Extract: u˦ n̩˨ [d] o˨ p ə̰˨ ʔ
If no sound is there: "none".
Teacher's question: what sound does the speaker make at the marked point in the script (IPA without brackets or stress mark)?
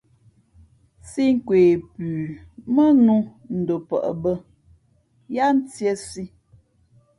d